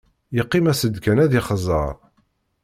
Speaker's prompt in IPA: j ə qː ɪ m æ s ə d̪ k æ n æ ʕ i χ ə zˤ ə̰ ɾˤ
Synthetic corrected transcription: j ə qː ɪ m æ s ə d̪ k æ n æ ð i χ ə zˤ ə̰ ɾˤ